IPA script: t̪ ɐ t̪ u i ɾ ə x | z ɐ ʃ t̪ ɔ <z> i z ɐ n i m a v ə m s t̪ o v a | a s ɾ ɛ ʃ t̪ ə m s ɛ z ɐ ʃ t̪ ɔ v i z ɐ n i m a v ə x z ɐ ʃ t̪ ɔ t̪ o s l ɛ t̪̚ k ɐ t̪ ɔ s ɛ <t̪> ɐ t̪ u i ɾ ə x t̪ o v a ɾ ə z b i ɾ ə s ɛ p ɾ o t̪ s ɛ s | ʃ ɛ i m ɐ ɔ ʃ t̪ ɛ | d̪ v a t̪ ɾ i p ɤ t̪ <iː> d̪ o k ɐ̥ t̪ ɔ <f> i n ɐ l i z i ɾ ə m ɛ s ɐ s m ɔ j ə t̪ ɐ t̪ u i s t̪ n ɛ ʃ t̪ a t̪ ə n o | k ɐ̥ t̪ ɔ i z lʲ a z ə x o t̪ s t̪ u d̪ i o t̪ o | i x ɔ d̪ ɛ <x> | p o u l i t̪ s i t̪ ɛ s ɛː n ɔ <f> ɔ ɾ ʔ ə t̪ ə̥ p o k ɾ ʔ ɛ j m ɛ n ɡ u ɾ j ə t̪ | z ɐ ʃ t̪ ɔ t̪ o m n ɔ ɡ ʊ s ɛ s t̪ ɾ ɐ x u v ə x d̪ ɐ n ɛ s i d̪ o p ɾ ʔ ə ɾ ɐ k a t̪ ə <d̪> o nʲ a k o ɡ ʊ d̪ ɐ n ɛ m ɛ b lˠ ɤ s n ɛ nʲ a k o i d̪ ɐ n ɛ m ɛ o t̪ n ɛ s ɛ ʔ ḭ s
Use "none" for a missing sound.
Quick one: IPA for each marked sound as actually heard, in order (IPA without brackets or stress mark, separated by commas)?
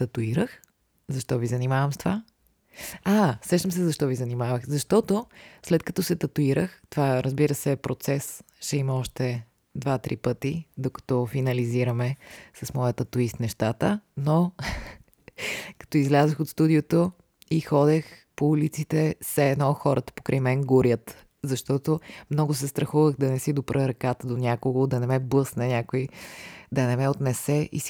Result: v, t̪, i, f, x, x, d̪